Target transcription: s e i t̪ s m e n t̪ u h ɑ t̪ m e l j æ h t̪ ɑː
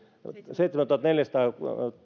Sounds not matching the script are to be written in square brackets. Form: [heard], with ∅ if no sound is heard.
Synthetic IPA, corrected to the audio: s e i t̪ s m [æ] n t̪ u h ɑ t̪ [n] e l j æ [s] t̪ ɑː